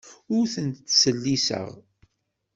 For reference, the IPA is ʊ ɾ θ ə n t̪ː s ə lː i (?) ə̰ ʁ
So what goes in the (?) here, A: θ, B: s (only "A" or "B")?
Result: B